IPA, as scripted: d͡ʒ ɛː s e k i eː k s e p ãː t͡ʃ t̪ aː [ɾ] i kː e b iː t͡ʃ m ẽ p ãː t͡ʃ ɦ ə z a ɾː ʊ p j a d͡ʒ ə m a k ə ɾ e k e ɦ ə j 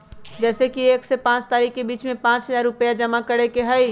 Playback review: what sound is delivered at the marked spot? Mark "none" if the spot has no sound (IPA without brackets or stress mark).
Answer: ɾ